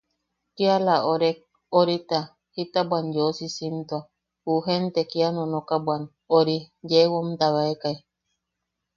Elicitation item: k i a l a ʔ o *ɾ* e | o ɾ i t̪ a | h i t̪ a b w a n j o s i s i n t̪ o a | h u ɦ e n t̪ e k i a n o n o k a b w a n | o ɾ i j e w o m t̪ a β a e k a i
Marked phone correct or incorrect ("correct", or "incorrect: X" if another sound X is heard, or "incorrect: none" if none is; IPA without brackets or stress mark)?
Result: correct